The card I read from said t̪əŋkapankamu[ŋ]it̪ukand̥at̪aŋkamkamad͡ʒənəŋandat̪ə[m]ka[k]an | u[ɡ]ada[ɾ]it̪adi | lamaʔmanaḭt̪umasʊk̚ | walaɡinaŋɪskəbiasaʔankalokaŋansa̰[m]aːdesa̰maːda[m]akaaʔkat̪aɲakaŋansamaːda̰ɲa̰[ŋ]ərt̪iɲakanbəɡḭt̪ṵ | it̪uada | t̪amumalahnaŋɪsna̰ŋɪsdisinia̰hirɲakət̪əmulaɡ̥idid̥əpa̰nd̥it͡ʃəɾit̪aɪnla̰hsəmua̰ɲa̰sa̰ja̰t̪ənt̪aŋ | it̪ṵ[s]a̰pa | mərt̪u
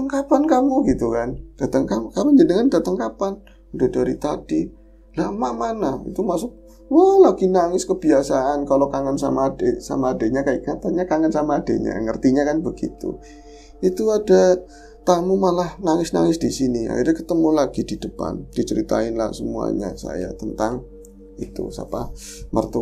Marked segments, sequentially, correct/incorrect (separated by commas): incorrect, incorrect, incorrect, incorrect, correct, correct, incorrect, correct, correct